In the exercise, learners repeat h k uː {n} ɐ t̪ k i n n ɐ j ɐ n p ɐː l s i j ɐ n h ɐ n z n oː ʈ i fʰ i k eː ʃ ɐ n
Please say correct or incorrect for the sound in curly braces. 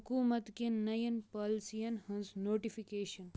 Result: incorrect